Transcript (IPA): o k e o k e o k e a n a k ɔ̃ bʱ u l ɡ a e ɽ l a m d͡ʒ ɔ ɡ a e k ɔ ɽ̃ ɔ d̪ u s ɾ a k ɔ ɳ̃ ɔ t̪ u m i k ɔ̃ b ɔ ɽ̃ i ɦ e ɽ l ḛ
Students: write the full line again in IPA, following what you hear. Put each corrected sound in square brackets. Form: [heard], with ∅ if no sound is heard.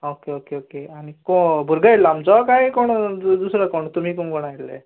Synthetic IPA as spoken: o k e o k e o k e a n [i] k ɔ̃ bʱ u [ɾ] ɡ a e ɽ l a m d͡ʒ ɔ [k] a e k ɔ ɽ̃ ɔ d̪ u s ɾ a k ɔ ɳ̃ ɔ t̪ u m i k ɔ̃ [ɡ] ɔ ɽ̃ [a] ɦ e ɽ l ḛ